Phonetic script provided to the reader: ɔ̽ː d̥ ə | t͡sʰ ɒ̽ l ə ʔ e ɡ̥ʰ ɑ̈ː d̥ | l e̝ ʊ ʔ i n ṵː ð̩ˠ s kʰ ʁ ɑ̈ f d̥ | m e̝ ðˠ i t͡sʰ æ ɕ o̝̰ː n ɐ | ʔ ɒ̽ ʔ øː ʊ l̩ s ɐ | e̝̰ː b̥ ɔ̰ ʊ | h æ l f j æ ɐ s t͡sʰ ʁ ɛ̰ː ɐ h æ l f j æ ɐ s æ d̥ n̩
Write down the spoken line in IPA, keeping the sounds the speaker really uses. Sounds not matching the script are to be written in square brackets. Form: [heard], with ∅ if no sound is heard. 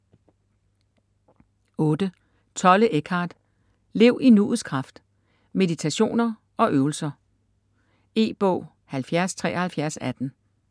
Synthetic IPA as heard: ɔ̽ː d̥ ə | t͡sʰ ɒ̽ l ə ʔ e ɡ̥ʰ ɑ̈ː d̥ | l e̝ ʊ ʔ i n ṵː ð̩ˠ s kʰ ʁ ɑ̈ f d̥ | m e̝ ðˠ i t͡sʰ æ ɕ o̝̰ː n ɐ | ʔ ɒ̽ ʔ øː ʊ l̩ s ɐ | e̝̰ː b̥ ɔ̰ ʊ | h æ l f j æ ɐ s t͡sʰ ʁ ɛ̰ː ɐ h æ l f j æ ɐ s æ d̥ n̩

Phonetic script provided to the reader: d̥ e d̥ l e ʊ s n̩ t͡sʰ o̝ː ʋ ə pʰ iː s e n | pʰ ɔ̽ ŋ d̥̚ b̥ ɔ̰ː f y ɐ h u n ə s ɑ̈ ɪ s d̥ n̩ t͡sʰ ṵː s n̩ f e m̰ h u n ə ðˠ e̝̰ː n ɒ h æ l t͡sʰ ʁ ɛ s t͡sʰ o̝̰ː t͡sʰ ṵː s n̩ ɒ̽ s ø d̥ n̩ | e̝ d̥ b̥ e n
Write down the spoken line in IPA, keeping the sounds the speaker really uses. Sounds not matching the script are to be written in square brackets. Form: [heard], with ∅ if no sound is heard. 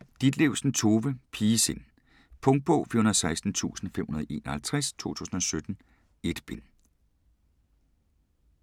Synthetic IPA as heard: d̥ [i] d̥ l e ʊ s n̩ t͡sʰ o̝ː ʋ ə pʰ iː s e n | pʰ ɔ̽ ŋ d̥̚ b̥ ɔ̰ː f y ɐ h u n [ɐ] s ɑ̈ ɪ s d̥ n̩ t͡sʰ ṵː s n̩ f e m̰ h u n [ɐ] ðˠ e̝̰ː n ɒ h æ l t͡sʰ ʁ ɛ s t͡sʰ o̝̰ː t͡sʰ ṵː s n̩ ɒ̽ s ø d̥ n̩ | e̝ d̥ b̥ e n

